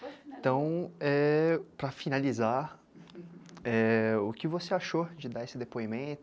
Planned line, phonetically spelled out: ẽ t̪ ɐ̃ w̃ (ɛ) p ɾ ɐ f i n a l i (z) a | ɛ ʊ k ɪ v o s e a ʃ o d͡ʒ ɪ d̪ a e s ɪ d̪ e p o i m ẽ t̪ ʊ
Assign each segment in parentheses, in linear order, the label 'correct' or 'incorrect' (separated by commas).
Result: correct, correct